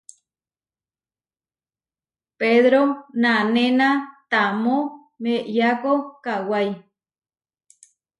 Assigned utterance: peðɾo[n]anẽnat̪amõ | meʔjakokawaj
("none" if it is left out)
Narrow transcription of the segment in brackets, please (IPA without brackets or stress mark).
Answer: n